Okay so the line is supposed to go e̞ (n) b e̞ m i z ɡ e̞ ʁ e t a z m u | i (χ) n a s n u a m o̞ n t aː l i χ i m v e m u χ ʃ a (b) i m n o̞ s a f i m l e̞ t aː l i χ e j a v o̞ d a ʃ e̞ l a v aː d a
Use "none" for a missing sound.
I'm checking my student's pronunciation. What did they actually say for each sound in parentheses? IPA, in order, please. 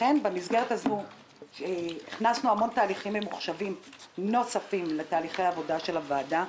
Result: n, χ, v

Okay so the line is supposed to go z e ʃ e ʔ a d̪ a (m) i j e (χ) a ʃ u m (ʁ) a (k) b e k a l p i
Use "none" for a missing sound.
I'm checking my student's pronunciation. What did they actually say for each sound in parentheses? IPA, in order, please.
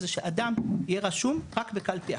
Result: m, ʁ, ʁ, k

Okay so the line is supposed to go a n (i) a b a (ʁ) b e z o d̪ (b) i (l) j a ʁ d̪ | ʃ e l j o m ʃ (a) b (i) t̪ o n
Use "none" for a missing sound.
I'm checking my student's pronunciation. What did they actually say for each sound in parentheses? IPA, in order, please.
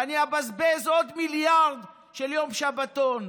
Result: i, z, m, l, a, a

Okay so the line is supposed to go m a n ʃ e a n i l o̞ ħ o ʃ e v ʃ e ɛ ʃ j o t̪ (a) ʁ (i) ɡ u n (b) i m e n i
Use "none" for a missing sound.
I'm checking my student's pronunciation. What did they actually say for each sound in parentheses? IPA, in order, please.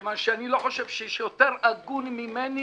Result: e, a, m

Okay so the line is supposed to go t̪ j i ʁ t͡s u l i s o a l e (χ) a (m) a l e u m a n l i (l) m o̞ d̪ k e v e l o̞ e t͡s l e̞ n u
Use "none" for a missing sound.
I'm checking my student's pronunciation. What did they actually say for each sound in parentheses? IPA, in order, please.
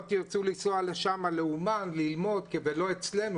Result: ʃ, m, l

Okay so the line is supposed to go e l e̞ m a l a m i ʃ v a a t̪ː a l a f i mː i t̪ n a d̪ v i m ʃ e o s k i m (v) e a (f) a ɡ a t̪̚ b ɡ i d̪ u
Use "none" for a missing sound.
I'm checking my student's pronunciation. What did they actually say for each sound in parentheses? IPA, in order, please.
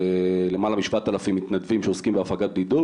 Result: b, f

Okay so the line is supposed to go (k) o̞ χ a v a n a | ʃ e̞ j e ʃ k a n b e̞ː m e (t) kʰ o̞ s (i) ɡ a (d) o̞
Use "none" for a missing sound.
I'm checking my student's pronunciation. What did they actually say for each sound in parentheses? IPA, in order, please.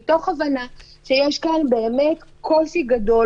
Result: t, t, i, d

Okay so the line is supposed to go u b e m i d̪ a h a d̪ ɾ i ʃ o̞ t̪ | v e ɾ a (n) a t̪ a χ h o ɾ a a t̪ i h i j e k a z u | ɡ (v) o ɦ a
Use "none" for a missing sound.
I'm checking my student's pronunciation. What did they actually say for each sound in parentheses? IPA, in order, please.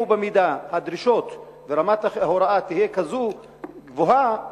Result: m, v

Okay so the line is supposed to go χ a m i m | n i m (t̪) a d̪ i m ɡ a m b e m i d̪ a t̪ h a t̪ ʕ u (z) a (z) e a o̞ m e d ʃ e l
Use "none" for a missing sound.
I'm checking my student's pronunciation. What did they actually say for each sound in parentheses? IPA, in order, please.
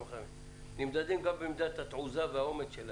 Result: d̪, z, v

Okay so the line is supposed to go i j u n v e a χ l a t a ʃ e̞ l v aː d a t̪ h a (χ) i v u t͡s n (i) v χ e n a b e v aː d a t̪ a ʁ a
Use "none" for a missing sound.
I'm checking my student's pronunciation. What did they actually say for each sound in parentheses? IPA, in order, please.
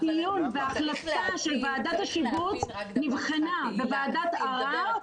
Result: ʃ, i

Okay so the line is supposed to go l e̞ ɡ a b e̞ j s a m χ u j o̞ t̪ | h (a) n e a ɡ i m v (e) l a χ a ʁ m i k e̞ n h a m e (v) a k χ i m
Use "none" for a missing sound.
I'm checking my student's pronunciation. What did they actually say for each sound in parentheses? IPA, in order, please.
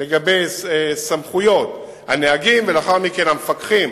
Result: a, e, f

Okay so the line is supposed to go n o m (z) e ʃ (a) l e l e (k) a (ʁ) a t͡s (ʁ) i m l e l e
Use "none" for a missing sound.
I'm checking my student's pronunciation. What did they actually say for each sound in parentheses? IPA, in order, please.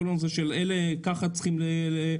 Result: z, e, k, χ, χ

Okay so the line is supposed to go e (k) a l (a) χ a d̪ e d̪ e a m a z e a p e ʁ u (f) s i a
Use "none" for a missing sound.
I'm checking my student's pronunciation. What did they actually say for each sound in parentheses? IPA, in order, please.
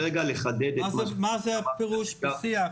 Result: ɡ, e, ʃ

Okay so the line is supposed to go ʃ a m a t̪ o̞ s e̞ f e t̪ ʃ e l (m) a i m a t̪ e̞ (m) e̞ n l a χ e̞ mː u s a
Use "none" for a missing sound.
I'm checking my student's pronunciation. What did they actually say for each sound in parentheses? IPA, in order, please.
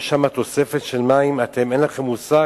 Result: m, m

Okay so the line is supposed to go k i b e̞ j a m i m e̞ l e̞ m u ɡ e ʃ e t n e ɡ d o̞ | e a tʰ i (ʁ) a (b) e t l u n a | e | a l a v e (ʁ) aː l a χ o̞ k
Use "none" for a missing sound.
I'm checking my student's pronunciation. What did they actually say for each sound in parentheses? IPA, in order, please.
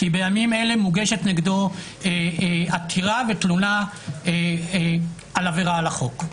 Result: ʁ, v, ʁ

